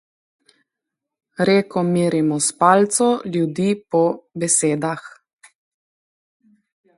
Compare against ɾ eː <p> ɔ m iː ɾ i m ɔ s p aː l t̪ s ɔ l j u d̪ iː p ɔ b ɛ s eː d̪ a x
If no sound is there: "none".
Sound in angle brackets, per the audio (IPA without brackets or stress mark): k